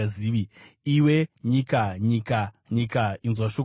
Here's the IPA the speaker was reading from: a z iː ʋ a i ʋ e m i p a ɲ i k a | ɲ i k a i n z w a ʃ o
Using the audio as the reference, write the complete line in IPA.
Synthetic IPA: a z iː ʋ i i w e ɲ i k a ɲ i k a | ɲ i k a i n z w a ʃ o